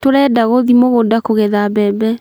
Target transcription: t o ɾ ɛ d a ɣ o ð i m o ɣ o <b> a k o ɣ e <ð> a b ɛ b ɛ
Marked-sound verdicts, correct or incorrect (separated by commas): incorrect, correct